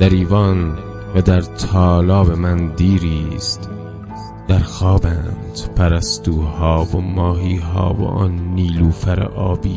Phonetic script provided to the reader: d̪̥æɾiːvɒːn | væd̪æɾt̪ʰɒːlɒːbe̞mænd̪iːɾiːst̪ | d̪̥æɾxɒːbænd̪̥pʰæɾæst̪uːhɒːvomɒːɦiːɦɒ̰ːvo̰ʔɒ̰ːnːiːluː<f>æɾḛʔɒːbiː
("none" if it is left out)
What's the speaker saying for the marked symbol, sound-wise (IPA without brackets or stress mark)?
f